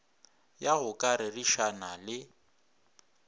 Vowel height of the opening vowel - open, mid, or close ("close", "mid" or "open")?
open